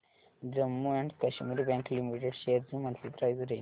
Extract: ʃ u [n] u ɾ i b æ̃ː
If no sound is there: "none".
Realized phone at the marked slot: m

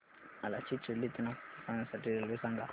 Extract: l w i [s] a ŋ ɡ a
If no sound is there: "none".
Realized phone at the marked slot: s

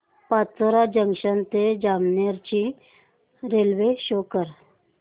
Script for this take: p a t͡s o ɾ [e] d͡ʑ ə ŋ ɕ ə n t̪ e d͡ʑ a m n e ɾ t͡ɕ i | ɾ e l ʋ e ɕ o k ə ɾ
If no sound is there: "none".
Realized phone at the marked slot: a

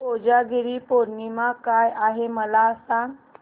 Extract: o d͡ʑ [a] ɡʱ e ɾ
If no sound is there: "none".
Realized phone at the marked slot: a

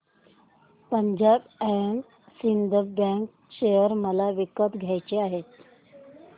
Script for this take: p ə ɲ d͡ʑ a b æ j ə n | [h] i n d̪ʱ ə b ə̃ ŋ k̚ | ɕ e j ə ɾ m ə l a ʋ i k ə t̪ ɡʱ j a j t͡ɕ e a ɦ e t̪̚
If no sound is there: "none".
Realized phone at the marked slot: s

